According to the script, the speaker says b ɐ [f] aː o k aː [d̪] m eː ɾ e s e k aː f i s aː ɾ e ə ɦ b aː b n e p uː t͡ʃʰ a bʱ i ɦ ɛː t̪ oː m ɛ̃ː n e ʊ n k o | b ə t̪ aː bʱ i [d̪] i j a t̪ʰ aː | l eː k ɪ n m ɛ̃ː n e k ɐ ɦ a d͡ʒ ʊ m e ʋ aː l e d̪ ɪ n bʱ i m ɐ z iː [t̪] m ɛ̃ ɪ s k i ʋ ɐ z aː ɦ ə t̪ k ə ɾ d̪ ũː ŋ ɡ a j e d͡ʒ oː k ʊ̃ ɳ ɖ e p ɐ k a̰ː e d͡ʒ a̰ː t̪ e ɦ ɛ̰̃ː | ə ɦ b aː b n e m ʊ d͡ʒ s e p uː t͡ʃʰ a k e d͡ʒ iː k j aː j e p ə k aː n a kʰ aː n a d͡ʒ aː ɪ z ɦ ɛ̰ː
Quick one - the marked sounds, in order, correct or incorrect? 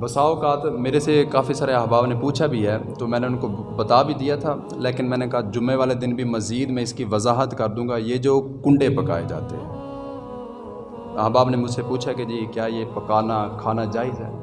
incorrect: s, incorrect: t̪, correct, incorrect: d̪

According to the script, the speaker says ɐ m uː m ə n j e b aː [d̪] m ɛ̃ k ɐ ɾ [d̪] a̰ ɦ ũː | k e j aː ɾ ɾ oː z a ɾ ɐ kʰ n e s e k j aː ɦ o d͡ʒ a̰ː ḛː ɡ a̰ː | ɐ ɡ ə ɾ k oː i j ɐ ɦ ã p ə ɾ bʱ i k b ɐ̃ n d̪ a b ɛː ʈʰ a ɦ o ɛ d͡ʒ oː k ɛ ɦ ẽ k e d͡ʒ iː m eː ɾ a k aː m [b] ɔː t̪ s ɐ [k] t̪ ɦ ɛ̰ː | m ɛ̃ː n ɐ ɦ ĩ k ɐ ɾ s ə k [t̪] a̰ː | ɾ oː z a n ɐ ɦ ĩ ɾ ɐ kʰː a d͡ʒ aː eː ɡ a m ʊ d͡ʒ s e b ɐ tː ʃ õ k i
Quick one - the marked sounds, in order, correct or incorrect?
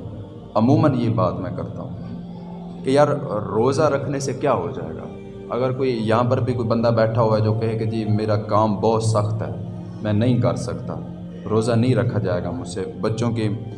incorrect: t̪, incorrect: t̪, correct, incorrect: x, correct

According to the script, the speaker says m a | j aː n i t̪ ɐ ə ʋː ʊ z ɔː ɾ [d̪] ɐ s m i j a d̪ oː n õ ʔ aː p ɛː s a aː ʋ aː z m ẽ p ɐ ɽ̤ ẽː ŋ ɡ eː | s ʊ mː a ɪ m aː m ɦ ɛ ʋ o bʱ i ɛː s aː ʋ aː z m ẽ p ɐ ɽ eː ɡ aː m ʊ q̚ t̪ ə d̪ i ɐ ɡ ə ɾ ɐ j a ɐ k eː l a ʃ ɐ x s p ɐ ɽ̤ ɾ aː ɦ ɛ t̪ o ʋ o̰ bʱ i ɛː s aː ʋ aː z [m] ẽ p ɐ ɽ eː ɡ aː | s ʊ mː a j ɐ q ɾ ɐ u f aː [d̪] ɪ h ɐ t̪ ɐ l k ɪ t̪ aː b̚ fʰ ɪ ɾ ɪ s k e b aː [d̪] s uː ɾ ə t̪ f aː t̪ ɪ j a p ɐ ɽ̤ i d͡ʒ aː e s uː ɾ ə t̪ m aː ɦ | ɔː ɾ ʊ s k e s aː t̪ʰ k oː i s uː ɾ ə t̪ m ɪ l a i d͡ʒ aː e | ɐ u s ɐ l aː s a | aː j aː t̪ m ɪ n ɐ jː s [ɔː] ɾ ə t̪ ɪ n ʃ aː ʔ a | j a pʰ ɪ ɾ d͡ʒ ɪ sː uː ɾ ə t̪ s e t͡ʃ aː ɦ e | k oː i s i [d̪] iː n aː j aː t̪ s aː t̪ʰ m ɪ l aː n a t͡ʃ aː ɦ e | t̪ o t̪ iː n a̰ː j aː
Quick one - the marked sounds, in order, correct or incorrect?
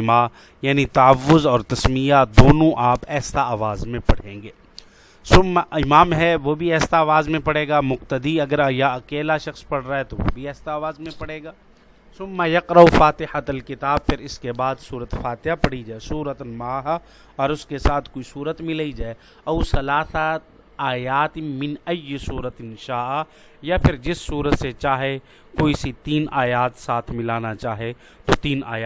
incorrect: t̪, correct, incorrect: t̪, correct, incorrect: uː, incorrect: t̪

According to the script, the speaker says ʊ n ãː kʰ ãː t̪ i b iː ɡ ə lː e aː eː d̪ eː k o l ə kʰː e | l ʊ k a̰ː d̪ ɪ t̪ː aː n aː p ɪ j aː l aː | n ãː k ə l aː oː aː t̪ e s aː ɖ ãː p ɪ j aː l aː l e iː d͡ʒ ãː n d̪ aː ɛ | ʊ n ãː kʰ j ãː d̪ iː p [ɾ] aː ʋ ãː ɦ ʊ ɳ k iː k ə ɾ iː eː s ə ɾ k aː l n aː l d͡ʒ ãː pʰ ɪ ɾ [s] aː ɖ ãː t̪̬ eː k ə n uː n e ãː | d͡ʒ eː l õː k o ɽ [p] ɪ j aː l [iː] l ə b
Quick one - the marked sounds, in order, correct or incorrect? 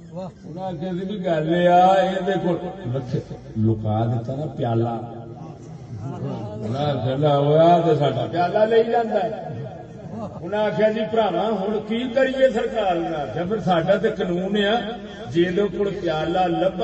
correct, correct, correct, incorrect: aː

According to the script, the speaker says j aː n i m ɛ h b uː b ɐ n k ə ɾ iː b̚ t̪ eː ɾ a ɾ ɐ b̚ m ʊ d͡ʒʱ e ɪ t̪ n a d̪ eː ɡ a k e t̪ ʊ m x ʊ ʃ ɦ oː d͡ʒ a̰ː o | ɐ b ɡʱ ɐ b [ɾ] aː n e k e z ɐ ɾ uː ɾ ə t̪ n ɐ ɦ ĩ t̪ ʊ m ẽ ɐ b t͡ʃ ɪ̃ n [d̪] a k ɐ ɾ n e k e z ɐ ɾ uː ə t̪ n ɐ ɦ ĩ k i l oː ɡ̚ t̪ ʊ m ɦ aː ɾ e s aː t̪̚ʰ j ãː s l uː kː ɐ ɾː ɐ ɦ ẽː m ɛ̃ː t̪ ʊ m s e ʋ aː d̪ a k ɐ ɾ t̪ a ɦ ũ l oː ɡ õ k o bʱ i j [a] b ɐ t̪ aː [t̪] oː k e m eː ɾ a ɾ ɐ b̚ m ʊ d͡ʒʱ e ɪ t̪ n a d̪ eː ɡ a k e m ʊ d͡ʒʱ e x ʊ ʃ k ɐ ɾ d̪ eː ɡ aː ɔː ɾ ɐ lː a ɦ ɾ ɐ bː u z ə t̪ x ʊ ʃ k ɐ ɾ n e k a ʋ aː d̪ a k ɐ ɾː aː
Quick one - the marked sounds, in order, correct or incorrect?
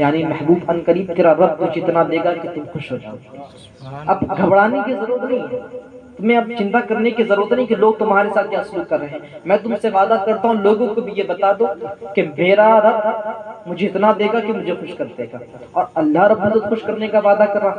incorrect: ɽ, incorrect: t̪, incorrect: e, incorrect: d̪

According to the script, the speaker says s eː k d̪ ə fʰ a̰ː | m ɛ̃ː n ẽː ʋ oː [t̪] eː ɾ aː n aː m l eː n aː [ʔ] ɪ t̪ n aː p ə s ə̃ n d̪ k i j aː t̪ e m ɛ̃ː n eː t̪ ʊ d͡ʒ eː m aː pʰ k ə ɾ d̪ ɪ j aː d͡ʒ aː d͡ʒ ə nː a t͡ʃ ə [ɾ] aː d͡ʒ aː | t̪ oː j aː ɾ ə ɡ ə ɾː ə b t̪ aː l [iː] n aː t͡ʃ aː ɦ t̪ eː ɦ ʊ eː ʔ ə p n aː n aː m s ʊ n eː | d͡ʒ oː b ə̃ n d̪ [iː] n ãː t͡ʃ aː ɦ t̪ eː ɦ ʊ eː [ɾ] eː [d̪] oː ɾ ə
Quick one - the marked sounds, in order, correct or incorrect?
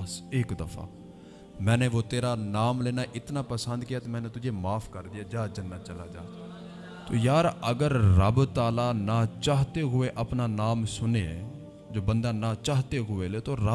correct, correct, incorrect: l, incorrect: aː, incorrect: aː, incorrect: l, incorrect: t̪

